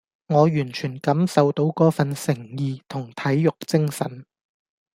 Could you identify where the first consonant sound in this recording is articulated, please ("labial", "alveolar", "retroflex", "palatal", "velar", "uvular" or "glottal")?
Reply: velar